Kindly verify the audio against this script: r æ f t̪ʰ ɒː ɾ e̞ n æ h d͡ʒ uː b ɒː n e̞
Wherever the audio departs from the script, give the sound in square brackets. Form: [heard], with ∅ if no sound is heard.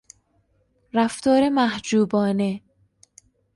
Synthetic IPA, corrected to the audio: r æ f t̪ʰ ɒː ɾ e̞ [m] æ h d͡ʒ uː b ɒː n e̞